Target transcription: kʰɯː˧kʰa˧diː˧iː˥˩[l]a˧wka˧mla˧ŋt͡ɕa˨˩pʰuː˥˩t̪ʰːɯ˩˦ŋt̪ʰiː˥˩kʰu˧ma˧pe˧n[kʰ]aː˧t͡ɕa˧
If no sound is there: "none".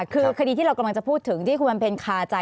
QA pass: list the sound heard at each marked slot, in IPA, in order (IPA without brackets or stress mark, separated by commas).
ɾ, kʰ